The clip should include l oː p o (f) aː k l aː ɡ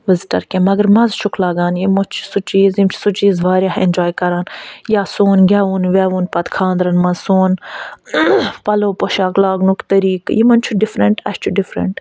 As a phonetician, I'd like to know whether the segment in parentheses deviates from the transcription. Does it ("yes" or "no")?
yes